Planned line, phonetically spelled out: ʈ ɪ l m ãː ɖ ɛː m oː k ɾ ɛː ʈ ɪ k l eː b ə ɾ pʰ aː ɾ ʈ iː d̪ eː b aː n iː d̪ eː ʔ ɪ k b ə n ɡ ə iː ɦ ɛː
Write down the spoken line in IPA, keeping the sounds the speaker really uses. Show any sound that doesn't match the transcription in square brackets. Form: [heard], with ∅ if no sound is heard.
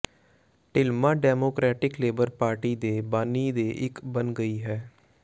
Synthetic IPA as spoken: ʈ ɪ l m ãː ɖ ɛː m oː k ɾ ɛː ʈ ɪ k l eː b ə ɾ [p] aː ɾ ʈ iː d̪ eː b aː n iː d̪ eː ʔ ɪ k b ə n ɡ ə iː ɦ ɛː

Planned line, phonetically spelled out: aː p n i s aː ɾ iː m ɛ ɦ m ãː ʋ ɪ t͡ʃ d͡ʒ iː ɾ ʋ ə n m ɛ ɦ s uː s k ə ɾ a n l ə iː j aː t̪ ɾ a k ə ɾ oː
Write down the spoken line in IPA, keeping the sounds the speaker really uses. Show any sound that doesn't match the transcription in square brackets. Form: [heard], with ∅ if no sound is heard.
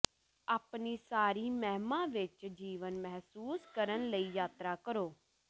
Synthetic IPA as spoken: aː p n i s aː ɾ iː m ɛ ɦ m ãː ʋ ɪ t͡ʃ d͡ʒ iː [∅] ʋ ə n m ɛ ɦ s uː s k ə ɾ [ə] n l ə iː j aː t̪ ɾ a k ə ɾ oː

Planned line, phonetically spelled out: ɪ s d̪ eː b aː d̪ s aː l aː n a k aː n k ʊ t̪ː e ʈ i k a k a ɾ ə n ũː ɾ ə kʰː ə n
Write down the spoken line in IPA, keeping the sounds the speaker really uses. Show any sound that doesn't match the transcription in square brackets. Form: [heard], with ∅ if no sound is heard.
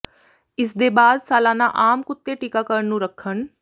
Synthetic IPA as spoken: ɪ s d̪ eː b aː d̪ s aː l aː n a [ʔ] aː [m] k ʊ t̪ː e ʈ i k a k [ə] ɾ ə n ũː ɾ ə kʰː ə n

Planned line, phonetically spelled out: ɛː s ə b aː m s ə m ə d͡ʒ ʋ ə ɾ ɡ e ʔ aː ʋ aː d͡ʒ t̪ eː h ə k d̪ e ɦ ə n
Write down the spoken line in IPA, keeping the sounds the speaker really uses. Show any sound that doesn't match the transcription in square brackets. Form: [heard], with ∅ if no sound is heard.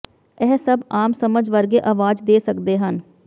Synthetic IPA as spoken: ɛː s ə b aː m s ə m ə d͡ʒ ʋ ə ɾ ɡ e ʔ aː ʋ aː d͡ʒ [d̪] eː [s] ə k d̪ e ɦ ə n

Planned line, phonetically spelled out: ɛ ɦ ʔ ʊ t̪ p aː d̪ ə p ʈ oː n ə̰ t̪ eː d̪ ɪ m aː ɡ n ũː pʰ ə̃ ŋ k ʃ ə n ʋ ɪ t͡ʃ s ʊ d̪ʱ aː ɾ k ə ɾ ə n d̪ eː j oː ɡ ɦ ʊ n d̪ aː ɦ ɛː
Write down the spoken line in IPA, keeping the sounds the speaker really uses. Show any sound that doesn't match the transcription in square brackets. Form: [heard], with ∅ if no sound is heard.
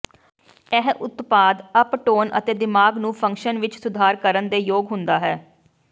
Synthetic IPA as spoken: ɛ ɦ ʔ ʊ t̪ p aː d̪ ə p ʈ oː n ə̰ t̪ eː d̪ ɪ m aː ɡ n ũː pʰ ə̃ ŋ k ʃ ə n ʋ ɪ t͡ʃ s ʊ d̪ʱ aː ɾ k ə ɾ ə n d̪ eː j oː ɡ ɦ ʊ n d̪ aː ɦ ɛː

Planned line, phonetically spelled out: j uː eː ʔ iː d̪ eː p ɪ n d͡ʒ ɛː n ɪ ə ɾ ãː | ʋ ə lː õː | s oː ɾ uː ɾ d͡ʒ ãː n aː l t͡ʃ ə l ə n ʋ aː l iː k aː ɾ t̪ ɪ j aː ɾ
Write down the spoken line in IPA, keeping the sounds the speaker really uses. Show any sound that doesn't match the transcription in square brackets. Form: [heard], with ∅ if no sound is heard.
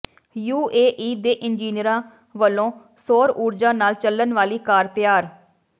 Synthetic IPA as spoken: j uː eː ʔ iː d̪ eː [ʔ] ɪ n d͡ʒ [iː] n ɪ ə ɾ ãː | ʋ ə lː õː | s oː ɾ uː ɾ d͡ʒ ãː n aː l t͡ʃ ə l ə n ʋ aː l iː k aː ɾ t̪ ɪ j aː ɾ

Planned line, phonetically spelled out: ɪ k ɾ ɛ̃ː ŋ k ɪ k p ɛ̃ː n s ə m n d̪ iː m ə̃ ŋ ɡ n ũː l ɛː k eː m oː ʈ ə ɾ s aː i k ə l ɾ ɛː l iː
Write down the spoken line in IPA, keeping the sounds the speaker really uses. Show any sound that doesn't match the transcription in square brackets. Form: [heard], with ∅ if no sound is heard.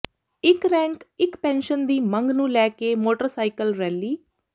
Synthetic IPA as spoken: ɪ k ɾ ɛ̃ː ŋ k ɪ k p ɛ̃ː n [ʃ] ə [∅] n d̪ iː m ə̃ ŋ ɡ n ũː l ɛː k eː m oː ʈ ə ɾ s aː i k ə l ɾ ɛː l iː

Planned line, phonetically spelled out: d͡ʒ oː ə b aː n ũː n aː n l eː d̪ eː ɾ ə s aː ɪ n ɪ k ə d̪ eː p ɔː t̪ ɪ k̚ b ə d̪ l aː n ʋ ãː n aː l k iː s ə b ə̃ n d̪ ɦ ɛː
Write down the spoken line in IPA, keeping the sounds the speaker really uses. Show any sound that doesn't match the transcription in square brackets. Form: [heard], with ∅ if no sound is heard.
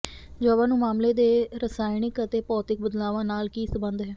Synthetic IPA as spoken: d͡ʒ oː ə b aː n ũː [m] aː [m] l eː d̪ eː ɾ ə s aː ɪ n ɪ k ə [t̪] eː p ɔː t̪ ɪ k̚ b ə d̪ l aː [∅] ʋ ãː n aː l k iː s ə b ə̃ n d̪ ɦ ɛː

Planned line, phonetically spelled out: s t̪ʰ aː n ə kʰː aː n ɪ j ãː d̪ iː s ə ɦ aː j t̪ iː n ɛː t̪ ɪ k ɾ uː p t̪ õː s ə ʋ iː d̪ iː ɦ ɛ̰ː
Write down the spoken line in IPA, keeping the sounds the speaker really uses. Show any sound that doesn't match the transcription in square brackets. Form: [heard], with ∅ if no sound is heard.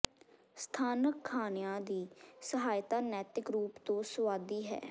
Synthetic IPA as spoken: s t̪ʰ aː n ə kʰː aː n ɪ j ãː d̪ iː s ə ɦ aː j t̪ [aː] n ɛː t̪ ɪ k ɾ uː p t̪ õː s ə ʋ [aː] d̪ iː ɦ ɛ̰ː

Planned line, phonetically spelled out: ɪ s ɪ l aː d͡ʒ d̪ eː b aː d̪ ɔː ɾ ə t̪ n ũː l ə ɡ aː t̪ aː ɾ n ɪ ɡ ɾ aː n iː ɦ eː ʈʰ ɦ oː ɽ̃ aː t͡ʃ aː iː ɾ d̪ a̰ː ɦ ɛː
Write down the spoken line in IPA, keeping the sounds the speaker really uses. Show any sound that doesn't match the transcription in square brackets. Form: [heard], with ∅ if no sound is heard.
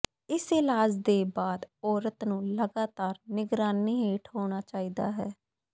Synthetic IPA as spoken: ɪ s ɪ l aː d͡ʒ d̪ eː b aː d̪ ɔː ɾ ə t̪ n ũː l ə ɡ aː t̪ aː ɾ n ɪ ɡ ɾ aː n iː ɦ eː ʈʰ ɦ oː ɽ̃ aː t͡ʃ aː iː [∅] d̪ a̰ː ɦ ɛː

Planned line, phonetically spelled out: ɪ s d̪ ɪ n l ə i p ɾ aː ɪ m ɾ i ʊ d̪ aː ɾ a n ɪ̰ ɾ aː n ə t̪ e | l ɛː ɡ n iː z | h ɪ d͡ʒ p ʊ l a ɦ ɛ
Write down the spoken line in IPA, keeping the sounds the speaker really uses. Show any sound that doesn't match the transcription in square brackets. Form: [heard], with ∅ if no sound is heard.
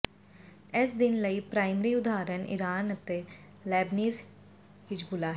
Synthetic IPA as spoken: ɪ s d̪ ɪ n l ə i p ɾ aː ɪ m ɾ i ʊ d̪ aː ɾ [ə] n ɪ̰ ɾ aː n ə t̪ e | l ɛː [b] n iː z | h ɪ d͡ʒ [b] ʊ l a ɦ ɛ

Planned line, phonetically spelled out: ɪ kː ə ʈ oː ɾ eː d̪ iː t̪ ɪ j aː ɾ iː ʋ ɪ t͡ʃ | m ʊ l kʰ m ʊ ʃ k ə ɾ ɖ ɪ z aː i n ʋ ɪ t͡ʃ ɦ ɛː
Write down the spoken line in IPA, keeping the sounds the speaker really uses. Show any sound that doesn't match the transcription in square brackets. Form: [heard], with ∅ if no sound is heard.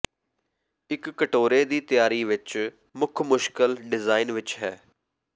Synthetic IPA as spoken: ɪ kː ə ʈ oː ɾ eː d̪ iː t̪ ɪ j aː ɾ iː ʋ ɪ t͡ʃ | m ʊ [∅] kʰ m ʊ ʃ k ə [l] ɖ ɪ z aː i n ʋ ɪ t͡ʃ ɦ ɛː

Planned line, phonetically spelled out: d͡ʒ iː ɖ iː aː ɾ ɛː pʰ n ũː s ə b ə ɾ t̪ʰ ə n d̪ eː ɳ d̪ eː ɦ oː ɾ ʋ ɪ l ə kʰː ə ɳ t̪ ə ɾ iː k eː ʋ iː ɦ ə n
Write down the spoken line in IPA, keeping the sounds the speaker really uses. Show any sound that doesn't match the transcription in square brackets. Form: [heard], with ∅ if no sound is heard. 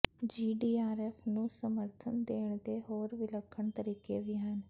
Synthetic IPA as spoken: d͡ʒ iː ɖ iː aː ɾ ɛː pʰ n ũː s ə [m] ə ɾ t̪ʰ ə n d̪ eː ɳ d̪ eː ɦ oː ɾ ʋ ɪ l ə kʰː ə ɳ t̪ ə ɾ iː k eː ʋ iː ɦ ə n

